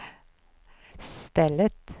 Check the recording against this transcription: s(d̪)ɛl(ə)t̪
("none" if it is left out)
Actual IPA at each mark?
t̪, ə

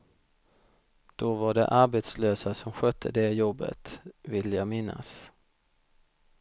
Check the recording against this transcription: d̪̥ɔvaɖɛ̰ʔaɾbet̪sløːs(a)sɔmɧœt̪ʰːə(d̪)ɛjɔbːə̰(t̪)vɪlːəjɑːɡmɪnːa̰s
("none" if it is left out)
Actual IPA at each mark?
a, d̪, t̪

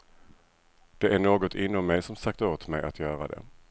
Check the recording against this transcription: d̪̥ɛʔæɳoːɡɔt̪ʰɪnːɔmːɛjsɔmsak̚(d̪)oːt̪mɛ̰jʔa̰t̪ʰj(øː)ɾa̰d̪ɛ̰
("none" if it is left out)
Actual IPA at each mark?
t̪, œː

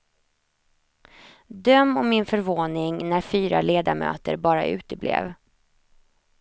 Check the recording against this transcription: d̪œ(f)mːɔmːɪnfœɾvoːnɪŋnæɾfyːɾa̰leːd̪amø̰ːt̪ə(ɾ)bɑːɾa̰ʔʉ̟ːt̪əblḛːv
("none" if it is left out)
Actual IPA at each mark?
none, ɾ

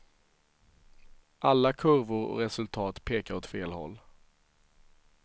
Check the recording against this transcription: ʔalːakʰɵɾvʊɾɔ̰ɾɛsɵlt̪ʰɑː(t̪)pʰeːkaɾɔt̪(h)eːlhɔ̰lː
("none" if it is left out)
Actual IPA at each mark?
t̪, f

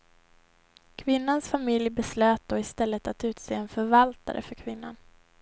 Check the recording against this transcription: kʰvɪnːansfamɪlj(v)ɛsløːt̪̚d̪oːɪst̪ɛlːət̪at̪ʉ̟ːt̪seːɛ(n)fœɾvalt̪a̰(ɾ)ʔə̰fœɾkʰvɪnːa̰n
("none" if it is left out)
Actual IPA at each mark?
b, n, ɾ

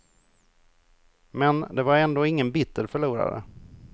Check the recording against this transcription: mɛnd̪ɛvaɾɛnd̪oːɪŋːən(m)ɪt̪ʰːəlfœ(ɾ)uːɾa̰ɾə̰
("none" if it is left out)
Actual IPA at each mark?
b, ɭ

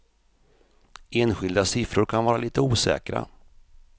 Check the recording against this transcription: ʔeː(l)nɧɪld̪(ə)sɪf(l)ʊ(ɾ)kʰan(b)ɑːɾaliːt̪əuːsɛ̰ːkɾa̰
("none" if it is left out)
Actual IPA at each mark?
none, a, ɾ, ɾ, v

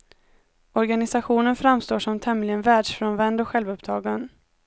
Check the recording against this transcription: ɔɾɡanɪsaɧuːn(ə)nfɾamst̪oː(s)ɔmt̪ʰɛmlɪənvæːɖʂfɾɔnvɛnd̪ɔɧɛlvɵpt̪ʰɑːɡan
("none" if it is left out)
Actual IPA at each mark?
ə, ʂ

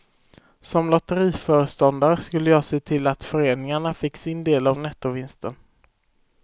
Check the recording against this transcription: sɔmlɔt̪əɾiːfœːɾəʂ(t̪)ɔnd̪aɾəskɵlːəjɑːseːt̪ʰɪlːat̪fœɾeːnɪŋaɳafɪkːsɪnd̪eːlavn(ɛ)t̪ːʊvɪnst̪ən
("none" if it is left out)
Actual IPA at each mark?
t̪, ɛ

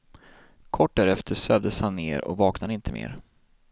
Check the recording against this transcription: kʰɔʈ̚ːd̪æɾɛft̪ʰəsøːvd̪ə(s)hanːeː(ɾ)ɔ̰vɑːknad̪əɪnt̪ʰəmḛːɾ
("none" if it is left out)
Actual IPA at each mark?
s, ɾ

